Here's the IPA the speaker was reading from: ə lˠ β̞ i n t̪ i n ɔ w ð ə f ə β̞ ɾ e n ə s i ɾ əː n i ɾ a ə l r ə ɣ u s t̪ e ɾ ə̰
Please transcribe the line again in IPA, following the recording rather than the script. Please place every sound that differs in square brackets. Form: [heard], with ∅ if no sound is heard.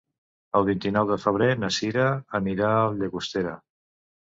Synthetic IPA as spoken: ə lˠ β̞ i n t̪ i n ɔ w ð ə f ə β̞ ɾ e n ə s i ɾ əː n i ɾ a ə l [ʎ] ə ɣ u s t̪ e ɾ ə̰